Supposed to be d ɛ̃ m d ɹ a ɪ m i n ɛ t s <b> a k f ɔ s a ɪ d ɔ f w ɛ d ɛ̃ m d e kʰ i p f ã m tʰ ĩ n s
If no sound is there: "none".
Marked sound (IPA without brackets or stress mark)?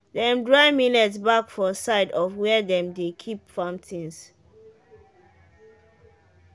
b